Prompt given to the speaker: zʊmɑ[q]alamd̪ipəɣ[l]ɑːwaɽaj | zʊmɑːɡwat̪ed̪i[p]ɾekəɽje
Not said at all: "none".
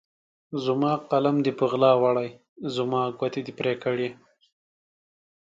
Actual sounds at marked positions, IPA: q, l, p

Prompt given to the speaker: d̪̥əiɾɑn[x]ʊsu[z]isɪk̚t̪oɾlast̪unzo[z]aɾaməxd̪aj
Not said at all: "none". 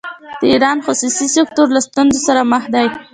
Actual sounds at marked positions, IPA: x, s, s

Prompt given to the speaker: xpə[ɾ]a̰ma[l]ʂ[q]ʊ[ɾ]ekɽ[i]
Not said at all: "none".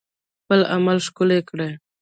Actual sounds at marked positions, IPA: l, l, k, l, e

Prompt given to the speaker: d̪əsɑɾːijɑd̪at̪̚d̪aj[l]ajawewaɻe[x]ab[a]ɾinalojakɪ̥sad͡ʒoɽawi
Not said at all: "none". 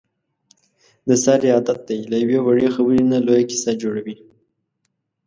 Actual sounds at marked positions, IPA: l, x, ə

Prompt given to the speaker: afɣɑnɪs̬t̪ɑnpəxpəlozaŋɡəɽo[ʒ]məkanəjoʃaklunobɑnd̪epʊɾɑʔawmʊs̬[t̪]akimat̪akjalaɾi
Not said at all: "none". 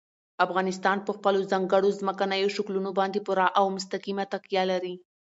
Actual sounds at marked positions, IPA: z, t̪

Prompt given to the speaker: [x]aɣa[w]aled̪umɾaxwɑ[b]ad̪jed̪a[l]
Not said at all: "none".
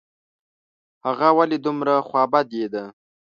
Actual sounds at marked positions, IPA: h, w, b, none

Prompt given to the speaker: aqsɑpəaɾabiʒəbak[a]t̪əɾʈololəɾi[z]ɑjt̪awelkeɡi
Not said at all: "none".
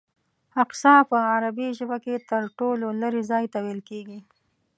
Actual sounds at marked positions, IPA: e, z

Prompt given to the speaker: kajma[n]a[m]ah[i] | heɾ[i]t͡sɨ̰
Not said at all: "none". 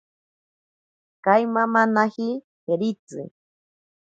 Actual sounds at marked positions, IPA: m, n, i, i

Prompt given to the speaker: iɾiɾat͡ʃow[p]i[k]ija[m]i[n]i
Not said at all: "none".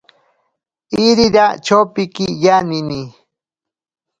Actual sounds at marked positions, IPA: p, k, n, n

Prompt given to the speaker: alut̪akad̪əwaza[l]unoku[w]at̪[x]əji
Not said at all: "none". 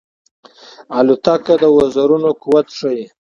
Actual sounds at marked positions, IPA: ɾ, w, ʂ

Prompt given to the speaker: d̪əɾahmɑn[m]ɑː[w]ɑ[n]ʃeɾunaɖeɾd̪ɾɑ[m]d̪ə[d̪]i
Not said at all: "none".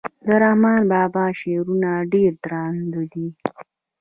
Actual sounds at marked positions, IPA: b, b, none, n, d̪

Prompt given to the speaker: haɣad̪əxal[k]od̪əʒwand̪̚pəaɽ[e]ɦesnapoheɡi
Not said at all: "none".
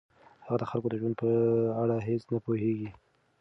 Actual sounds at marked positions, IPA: k, a

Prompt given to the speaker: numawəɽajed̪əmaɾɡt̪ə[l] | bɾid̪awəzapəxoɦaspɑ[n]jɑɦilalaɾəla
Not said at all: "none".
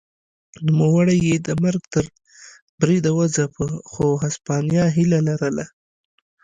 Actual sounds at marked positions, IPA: ɾ, n

